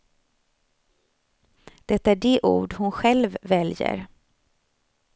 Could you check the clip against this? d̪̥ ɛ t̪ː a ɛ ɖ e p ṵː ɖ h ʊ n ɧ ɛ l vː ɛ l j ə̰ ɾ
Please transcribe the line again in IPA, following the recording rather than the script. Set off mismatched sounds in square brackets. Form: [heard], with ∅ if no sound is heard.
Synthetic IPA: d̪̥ ɛ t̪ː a [æ] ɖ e [ʔ] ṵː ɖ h ʊ n ɧ ɛ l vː ɛ l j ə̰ ɾ